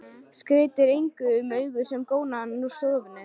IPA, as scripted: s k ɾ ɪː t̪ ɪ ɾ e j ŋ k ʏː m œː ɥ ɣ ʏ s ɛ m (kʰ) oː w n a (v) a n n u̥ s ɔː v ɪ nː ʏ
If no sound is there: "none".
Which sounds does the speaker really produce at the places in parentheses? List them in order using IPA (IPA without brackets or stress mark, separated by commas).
k, none